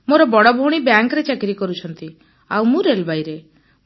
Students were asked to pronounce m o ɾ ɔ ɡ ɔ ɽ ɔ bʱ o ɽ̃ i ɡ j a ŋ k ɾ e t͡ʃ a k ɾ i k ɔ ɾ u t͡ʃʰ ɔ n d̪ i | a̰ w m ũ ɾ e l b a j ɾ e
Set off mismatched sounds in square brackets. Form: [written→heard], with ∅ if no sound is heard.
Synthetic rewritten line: m o ɾ ɔ [ɡ→b] ɔ ɽ ɔ bʱ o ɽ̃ i [ɡ→b] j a ŋ k ɾ e t͡ʃ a k ɾ i k ɔ ɾ u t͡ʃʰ ɔ n [d̪→t̪] i | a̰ w m ũ ɾ e l b a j ɾ e